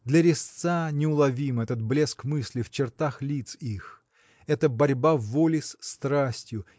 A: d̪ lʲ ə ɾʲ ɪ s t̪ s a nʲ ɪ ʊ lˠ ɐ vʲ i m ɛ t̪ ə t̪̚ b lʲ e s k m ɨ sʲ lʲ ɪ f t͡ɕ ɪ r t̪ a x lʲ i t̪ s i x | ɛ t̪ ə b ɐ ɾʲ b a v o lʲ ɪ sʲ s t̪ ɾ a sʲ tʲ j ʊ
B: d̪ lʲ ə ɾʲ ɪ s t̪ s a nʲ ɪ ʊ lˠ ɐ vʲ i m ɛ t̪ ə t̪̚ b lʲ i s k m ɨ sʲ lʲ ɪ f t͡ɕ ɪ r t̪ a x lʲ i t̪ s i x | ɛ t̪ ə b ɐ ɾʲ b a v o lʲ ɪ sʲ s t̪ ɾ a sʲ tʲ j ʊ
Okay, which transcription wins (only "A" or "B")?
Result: A